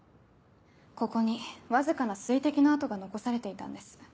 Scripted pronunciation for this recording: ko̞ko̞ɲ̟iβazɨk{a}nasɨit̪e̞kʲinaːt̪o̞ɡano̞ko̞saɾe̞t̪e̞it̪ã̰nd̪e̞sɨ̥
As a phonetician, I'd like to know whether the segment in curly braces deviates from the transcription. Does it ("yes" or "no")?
no